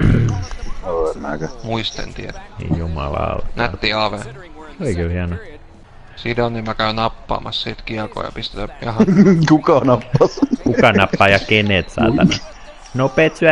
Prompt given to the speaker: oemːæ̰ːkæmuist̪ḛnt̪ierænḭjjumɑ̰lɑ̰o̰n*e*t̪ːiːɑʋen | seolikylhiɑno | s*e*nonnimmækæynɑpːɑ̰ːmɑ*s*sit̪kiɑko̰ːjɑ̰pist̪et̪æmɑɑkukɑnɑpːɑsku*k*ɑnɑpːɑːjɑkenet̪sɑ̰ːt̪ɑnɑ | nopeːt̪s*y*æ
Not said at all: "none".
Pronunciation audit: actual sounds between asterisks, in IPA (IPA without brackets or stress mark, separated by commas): æ, i, s, k, y